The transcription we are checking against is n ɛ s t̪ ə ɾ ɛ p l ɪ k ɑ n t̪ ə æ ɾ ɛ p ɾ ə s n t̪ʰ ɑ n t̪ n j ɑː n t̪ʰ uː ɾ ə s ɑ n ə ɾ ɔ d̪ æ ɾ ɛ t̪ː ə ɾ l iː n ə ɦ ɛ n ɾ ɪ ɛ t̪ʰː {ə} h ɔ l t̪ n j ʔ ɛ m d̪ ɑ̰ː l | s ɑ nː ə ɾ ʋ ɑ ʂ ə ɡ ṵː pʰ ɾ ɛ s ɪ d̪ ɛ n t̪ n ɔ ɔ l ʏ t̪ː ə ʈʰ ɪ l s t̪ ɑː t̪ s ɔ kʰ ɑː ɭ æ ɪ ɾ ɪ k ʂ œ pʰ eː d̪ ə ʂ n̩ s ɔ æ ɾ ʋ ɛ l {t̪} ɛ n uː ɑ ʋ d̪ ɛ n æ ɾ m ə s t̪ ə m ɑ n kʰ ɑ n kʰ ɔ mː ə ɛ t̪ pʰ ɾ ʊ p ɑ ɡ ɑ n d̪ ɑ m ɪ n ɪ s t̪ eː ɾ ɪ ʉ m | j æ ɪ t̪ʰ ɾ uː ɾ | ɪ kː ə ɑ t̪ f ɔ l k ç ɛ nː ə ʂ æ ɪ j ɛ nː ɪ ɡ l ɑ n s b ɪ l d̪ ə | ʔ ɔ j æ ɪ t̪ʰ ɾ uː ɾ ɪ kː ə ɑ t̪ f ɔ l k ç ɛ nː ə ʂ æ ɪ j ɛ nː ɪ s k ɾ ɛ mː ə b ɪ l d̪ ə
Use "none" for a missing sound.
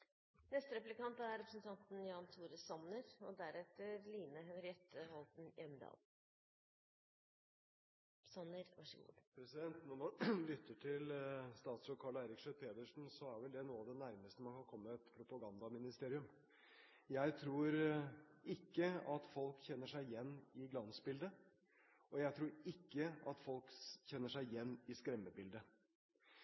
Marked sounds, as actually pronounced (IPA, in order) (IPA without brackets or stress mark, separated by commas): ə, d̪